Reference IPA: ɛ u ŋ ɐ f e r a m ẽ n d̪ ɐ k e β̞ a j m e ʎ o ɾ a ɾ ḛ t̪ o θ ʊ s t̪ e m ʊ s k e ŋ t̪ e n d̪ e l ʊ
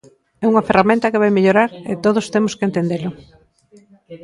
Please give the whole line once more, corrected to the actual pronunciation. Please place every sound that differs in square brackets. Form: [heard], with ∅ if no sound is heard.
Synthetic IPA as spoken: ɛ u ŋ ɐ f e r a m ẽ n [t̪] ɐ k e β̞ a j m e ʎ o ɾ a ɾ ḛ t̪ o [ð] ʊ s t̪ e m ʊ s k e [n] t̪ e n d̪ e l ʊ